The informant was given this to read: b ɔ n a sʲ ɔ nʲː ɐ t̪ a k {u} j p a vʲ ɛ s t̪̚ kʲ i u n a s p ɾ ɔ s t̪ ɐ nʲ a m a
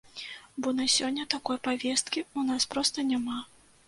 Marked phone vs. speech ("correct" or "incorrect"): incorrect